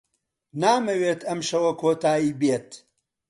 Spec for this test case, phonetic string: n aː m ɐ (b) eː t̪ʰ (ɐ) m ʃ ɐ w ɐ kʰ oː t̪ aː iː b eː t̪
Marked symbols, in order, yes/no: no, yes

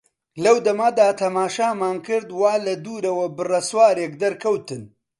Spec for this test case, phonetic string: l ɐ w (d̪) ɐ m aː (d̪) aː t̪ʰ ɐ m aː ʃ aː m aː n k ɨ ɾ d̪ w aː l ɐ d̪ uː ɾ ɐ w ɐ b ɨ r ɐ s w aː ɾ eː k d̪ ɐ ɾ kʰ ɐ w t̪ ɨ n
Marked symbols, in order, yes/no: yes, yes

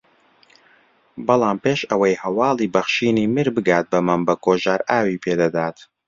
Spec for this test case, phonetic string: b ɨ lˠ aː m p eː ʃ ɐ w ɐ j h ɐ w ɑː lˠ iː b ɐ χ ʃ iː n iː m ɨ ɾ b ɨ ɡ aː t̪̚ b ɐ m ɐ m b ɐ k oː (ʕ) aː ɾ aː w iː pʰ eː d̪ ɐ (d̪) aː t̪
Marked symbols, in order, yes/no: no, yes

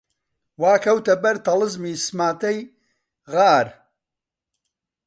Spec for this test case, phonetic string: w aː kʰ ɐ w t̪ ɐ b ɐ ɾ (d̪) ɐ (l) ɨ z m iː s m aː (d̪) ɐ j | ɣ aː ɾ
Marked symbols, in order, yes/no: no, yes, no

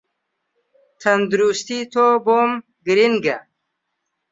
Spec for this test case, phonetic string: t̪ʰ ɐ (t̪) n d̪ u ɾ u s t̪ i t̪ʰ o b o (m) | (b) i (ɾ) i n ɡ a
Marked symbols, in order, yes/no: no, yes, no, yes

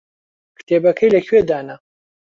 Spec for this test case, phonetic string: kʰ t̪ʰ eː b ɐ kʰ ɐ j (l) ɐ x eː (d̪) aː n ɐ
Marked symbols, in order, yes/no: yes, yes

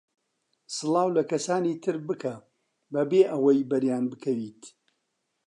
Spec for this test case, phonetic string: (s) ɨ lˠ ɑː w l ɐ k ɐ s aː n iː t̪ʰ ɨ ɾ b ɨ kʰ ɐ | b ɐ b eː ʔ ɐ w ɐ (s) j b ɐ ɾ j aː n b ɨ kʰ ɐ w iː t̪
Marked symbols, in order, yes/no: yes, no

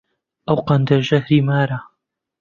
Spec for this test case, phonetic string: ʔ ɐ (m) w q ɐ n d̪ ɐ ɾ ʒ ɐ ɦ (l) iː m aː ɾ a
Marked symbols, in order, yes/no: no, no

